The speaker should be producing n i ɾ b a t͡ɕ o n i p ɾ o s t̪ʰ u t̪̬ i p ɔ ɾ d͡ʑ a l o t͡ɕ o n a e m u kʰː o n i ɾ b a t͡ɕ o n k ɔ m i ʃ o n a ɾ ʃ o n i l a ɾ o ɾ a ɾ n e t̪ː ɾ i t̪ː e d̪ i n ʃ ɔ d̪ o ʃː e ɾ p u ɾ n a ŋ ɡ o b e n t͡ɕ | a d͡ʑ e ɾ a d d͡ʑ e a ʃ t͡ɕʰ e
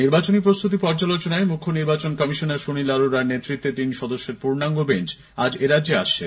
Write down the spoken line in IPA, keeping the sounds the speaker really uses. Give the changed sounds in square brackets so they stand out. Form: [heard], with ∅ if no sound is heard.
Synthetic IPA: n i ɾ b a t͡ɕ o n i p ɾ o s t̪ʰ u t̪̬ i p ɔ ɾ d͡ʑ a l o t͡ɕ o n a e m u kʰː o n i ɾ b a t͡ɕ o n k ɔ m i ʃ o n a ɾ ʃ o n i l a ɾ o ɾ a ɾ n e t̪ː ɾ i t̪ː e [t̪] i n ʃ ɔ d̪ o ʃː e ɾ p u ɾ n a ŋ ɡ o b e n t͡ɕ | a d͡ʑ e ɾ a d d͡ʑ e a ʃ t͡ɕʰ e